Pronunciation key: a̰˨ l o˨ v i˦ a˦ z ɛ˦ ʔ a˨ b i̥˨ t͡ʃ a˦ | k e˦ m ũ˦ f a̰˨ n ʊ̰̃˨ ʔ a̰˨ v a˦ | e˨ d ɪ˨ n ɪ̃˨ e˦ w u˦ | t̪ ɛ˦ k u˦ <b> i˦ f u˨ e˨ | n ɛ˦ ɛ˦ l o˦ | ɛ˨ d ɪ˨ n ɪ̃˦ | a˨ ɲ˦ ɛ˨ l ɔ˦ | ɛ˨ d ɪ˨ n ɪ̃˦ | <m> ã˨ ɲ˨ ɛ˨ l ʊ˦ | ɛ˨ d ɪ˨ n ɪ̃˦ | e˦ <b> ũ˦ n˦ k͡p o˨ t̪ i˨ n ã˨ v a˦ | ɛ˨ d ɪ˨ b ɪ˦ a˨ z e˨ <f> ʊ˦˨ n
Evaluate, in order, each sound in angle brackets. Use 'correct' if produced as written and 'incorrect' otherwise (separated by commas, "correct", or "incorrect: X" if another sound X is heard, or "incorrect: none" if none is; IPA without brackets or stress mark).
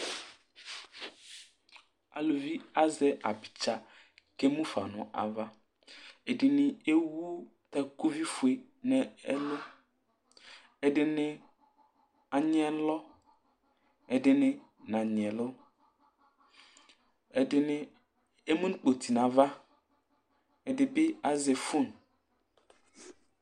incorrect: v, incorrect: n, incorrect: m, correct